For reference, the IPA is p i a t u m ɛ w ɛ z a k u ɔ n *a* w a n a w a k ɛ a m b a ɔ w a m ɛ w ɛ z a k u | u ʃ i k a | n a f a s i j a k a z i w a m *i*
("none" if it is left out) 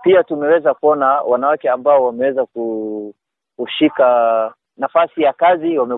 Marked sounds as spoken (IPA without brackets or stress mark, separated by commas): a, ɛ